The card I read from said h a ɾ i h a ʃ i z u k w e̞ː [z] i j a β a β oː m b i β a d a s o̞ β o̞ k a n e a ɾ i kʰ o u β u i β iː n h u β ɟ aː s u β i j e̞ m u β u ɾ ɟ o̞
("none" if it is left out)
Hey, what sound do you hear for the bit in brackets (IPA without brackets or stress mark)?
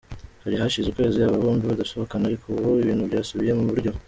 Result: z